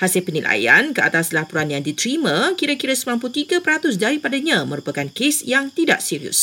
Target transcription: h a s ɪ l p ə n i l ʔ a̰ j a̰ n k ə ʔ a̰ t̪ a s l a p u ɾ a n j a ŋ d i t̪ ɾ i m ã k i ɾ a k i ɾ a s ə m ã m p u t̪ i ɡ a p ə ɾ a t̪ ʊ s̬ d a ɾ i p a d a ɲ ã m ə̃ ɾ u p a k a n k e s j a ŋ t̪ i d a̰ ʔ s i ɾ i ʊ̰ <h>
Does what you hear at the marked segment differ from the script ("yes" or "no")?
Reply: yes